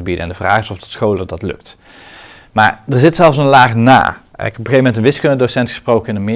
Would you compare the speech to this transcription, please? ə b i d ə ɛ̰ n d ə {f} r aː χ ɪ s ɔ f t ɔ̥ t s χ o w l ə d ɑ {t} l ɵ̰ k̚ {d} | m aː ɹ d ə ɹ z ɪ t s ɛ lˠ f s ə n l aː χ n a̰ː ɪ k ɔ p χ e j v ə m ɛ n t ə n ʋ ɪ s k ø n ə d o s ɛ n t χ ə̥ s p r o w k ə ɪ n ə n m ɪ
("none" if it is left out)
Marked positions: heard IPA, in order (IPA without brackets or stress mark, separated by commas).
v, t, t